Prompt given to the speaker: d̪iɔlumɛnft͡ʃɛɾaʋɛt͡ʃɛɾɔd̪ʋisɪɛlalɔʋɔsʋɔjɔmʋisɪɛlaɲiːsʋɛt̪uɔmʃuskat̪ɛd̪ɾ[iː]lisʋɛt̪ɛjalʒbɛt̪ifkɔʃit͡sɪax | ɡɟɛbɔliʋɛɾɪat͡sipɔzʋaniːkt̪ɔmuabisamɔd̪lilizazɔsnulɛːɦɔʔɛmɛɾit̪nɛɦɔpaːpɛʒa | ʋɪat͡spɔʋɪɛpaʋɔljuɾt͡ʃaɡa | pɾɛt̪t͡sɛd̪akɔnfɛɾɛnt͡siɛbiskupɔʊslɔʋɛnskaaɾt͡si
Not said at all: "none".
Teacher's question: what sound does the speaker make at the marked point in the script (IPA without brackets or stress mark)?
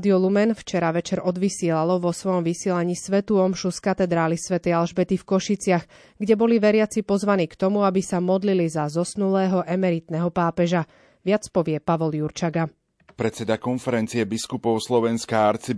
aː